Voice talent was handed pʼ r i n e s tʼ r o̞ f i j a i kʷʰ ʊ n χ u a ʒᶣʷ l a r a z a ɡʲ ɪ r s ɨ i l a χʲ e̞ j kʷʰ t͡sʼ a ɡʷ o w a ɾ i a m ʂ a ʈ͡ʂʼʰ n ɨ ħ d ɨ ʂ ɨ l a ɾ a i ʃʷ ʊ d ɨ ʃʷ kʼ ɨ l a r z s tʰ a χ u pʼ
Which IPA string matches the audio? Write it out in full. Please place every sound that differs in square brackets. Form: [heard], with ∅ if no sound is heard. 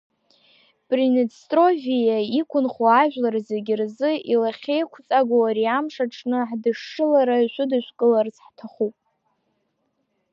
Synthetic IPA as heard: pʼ r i n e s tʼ r o̞ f i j a i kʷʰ ʊ n χ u a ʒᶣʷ l a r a z [e] ɡʲ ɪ r [z] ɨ i l a χʲ e̞ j kʷʰ t͡sʼ a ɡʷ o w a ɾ i a m ʂ a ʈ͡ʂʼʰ n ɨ ħ d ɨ ʂ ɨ l a ɾ a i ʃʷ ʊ d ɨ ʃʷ kʼ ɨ l a r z [ħ] tʰ a χ u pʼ